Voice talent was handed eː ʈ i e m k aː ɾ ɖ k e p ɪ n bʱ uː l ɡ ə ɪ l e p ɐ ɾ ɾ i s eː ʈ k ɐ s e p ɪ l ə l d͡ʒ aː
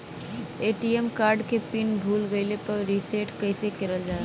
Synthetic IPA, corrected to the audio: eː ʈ i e m k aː ɾ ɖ k e p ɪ n bʱ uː l ɡ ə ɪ l e p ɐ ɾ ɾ i s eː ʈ k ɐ s e k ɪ ɾ ə l d͡ʒ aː